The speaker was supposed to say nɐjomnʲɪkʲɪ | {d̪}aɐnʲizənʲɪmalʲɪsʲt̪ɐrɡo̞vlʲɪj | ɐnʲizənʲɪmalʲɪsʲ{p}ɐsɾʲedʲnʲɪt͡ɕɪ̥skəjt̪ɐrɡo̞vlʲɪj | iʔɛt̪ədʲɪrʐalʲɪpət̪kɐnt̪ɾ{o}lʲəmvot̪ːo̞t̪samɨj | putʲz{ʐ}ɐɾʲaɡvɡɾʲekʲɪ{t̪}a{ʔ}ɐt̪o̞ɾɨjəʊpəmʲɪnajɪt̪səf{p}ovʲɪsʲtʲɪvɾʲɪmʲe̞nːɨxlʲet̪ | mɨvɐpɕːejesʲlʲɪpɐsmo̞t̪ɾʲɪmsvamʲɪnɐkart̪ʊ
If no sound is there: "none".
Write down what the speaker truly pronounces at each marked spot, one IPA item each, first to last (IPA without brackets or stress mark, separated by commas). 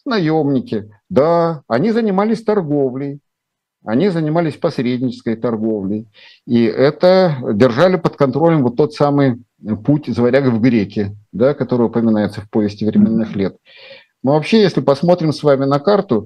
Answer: d̪, p, o, v, d̪, k, p